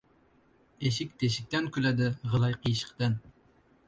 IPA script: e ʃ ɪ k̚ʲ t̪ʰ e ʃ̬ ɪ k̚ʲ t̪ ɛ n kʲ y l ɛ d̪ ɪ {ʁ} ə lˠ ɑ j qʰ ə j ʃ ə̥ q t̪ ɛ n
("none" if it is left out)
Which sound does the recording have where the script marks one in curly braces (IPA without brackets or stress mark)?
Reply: ʁ